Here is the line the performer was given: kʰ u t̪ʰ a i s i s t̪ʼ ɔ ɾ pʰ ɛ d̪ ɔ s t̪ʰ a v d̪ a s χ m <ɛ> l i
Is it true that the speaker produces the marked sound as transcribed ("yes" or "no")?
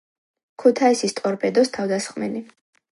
yes